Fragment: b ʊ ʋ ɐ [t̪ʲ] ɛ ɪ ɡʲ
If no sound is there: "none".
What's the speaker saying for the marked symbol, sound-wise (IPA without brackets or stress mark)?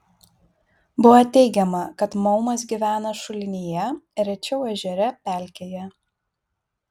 t̪ʲ